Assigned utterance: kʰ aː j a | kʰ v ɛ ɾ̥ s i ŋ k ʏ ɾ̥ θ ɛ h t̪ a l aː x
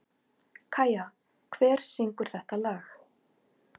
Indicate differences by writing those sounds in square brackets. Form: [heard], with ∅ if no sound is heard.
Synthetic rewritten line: kʰ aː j a | kʰ v [ɛː] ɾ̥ s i ŋ k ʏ ɾ̥ θ ɛ h t̪ a l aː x